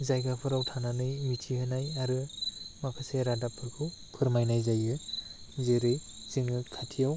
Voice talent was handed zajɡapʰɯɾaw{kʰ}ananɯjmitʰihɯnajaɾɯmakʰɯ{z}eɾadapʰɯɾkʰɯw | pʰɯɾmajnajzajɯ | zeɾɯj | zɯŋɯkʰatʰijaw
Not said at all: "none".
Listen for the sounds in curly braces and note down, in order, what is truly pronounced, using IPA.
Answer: tʰ, s

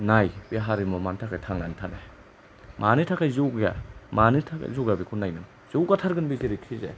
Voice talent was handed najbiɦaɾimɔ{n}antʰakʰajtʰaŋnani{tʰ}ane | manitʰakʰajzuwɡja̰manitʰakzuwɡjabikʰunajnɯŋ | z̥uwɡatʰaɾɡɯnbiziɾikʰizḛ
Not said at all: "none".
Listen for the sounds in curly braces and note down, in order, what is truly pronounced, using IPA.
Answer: m, tʰ

